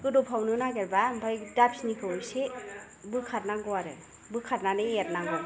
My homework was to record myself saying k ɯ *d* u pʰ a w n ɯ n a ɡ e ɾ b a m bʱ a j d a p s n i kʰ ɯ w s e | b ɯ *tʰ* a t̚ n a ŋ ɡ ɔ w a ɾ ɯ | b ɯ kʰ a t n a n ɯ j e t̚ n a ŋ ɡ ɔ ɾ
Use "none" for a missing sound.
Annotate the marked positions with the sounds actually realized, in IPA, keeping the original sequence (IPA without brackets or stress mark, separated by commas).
d, kʰ